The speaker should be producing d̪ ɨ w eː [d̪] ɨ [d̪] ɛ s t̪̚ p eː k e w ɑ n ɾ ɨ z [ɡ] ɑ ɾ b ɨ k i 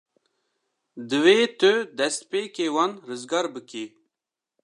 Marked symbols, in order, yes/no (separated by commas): no, yes, yes